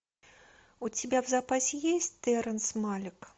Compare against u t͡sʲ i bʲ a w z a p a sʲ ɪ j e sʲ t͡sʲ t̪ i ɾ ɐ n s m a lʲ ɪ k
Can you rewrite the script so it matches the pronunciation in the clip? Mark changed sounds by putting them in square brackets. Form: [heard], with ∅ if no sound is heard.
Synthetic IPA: u t͡sʲ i bʲ a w z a p a sʲ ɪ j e sʲ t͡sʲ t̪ [ɛ] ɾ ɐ n s m a lʲ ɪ k